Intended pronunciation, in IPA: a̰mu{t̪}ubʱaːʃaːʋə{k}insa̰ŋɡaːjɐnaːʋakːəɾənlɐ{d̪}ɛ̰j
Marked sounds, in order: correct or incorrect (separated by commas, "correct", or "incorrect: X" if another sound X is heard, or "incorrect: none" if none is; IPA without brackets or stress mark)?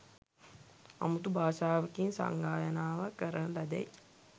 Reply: correct, correct, correct